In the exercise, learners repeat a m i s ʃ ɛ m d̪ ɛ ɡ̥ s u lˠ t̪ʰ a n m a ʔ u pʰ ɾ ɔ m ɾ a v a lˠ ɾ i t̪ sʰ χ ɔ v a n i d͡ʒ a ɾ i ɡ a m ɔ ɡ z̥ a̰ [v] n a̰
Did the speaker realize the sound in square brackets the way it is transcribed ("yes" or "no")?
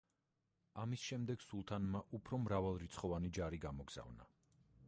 yes